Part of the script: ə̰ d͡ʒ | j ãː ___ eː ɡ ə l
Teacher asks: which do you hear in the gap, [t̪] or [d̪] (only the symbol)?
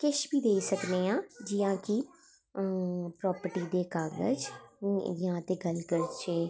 t̪